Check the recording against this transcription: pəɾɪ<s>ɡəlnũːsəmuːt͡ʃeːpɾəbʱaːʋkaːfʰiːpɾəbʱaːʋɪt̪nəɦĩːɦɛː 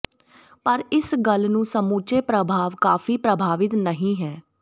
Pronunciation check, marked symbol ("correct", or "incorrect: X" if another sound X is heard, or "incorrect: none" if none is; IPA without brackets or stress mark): correct